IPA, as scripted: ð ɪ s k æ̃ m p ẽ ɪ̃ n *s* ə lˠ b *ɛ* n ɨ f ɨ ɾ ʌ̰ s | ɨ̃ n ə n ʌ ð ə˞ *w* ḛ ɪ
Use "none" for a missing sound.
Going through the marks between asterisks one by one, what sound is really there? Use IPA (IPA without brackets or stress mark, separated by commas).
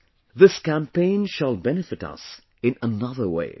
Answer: ʃ, ɛ, w